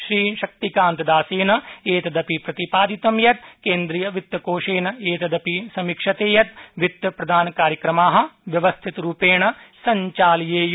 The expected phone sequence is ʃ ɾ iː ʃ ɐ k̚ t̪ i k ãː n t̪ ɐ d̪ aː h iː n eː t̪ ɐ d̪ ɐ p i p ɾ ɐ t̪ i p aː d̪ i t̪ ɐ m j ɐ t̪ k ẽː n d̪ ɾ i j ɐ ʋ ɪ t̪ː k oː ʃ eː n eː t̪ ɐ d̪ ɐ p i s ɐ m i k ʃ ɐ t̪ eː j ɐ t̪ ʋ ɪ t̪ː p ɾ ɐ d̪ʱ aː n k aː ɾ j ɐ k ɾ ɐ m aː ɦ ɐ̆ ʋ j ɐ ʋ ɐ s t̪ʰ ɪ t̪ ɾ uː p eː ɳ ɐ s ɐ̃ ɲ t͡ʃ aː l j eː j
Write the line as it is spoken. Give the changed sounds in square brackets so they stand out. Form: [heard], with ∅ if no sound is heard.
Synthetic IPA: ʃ ɾ iː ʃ ɐ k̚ t̪ i k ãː n t̪ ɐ d̪ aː [s] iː n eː t̪ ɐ d̪ ɐ p i p ɾ ɐ t̪ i p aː d̪ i t̪ ɐ m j ɐ t̪ k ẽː n d̪ ɾ i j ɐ ʋ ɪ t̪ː k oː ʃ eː n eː t̪ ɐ d̪ ɐ p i s ɐ m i k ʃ ɐ t̪ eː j ɐ t̪ ʋ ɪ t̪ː p ɾ ɐ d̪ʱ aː n k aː ɾ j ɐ k ɾ ɐ m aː ɦ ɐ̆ ʋ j ɐ ʋ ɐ s t̪ʰ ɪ t̪ ɾ uː p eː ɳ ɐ s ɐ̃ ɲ t͡ʃ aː l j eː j